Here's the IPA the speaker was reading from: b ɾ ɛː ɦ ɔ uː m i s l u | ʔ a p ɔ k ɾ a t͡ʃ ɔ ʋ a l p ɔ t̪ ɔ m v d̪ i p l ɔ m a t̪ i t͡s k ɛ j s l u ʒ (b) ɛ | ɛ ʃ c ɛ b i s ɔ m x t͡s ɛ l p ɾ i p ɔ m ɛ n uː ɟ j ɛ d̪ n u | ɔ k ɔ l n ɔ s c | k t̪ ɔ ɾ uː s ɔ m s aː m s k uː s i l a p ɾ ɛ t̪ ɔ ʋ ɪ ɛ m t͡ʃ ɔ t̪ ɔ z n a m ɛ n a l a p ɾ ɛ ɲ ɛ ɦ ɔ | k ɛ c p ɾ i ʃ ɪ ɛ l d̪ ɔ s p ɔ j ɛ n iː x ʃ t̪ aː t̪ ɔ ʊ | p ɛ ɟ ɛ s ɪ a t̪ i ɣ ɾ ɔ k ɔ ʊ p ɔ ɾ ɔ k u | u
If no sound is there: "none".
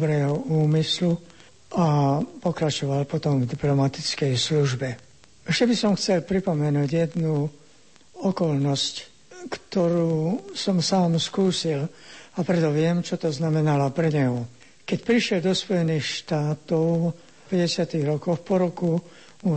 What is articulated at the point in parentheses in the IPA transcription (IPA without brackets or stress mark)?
b